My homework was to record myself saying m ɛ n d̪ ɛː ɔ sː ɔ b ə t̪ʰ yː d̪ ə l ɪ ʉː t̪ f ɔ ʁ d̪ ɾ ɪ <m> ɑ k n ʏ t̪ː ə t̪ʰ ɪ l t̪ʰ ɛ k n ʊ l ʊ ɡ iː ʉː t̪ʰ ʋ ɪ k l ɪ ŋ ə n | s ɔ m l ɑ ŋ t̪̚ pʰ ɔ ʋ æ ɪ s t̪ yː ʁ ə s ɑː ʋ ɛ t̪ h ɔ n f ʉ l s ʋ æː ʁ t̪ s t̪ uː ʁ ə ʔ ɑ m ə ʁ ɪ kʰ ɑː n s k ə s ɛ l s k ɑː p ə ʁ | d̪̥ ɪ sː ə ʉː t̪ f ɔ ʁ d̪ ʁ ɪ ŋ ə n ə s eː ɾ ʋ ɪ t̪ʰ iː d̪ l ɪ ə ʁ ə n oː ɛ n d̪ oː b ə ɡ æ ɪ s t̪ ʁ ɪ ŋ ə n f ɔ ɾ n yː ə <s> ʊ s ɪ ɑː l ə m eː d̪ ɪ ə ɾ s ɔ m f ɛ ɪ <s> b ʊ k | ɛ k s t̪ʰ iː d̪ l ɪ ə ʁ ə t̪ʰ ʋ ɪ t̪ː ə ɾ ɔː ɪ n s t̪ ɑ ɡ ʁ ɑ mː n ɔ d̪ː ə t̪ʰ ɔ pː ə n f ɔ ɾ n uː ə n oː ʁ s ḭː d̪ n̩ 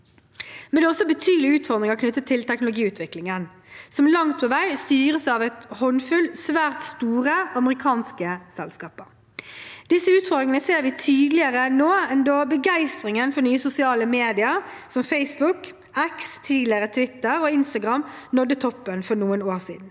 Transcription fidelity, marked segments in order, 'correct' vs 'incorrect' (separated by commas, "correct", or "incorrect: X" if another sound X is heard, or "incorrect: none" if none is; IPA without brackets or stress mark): incorrect: ŋ, correct, correct